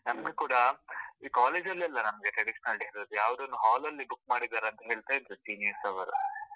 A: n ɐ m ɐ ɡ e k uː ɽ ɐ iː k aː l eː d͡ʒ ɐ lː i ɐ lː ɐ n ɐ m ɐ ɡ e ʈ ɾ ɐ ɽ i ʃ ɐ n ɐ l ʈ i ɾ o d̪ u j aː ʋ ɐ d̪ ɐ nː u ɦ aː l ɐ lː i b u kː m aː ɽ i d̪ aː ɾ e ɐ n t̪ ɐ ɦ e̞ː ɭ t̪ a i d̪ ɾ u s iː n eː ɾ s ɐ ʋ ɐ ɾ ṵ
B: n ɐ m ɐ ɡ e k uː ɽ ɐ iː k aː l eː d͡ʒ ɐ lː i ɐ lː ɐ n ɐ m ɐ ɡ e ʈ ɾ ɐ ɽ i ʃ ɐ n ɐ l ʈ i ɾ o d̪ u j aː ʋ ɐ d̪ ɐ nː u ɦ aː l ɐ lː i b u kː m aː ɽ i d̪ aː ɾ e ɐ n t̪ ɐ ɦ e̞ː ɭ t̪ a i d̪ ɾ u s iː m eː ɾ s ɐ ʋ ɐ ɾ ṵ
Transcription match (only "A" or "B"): A